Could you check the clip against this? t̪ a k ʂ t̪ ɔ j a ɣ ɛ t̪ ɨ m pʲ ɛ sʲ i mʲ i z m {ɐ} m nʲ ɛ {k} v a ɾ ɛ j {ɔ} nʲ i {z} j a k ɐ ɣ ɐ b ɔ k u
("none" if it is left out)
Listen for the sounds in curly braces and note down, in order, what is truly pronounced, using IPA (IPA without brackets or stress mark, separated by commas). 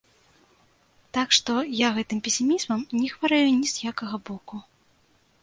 ɐ, x, u, z